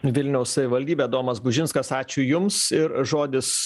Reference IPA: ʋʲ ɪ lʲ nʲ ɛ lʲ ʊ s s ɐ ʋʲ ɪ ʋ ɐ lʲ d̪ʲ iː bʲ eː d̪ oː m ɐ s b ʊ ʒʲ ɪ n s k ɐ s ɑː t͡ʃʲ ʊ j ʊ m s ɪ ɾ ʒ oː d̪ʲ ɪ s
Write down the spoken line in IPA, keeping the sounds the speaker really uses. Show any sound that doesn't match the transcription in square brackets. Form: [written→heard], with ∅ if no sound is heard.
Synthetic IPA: ʋʲ ɪ lʲ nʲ ɛ [lʲ→∅] ʊ s s ɐ ʋʲ ɪ ʋ ɐ lʲ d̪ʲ iː bʲ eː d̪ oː m ɐ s b ʊ ʒʲ ɪ n s k ɐ s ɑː t͡ʃʲ ʊ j ʊ m s ɪ ɾ ʒ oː d̪ʲ ɪ s